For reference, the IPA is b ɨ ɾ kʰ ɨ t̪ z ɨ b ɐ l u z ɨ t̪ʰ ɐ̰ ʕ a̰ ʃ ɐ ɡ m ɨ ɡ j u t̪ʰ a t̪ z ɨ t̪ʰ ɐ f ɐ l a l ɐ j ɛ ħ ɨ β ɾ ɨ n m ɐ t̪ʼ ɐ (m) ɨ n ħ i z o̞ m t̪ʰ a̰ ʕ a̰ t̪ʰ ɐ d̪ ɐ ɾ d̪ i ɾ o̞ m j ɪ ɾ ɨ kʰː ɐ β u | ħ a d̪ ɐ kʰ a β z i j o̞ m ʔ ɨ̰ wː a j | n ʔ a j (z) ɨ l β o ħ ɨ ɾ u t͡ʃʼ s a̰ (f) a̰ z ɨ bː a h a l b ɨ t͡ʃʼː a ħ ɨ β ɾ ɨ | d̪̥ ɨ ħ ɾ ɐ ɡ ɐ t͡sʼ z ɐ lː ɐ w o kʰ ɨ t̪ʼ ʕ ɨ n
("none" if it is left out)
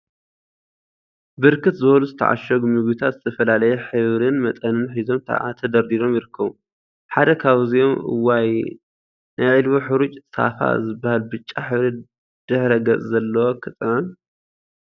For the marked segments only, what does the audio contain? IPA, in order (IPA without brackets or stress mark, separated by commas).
n, ʕ, f